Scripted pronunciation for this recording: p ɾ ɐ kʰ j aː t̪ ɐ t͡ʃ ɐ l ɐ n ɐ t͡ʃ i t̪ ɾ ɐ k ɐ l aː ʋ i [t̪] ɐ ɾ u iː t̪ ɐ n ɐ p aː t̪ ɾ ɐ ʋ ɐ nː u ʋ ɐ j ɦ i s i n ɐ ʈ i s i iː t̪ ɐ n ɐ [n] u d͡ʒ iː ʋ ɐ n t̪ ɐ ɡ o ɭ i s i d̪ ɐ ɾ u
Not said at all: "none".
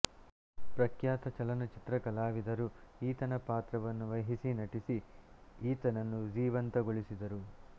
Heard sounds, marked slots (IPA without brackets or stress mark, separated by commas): d̪, nː